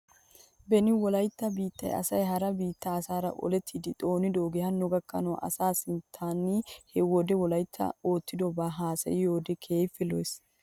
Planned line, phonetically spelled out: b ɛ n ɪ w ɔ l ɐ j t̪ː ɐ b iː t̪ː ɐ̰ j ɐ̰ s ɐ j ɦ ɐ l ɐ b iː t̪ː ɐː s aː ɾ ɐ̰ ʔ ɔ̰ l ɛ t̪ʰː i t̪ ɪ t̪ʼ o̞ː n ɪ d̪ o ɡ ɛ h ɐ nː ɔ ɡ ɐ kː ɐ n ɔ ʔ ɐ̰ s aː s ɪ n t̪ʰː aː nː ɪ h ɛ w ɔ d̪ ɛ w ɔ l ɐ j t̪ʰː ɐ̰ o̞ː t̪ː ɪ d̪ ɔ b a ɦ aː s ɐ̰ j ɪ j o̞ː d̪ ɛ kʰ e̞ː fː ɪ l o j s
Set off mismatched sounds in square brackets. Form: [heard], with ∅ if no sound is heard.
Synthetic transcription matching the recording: b ɛ n ɪ w ɔ l ɐ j t̪ː ɐ b iː t̪ː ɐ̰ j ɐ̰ s ɐ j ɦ ɐ [ɾ] ɐ b iː t̪ː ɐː s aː ɾ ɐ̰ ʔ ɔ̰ l ɛ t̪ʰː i [d̪] ɪ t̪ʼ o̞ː n ɪ d̪ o ɡ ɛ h ɐ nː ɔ ɡ ɐ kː ɐ n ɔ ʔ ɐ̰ s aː s ɪ n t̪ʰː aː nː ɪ h ɛ w ɔ d̪ ɛ w ɔ l ɐ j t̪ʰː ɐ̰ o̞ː t̪ː ɪ d̪ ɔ b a ɦ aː s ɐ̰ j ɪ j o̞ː d̪ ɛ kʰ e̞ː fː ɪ l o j s